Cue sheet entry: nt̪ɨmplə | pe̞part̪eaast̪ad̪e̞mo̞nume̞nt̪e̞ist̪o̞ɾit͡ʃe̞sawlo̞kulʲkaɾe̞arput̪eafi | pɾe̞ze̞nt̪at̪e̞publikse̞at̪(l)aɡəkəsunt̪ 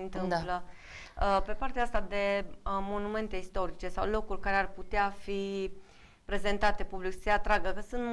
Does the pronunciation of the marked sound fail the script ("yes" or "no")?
yes